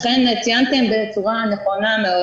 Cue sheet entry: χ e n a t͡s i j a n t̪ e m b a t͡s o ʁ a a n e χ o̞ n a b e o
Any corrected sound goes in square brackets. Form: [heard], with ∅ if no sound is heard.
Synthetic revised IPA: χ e n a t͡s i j a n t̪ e m b [e] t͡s [u] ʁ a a n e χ o̞ n a [m] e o